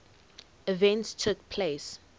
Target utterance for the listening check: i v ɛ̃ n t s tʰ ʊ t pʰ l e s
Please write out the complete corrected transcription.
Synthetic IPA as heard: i v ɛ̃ n t s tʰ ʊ k pʰ l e s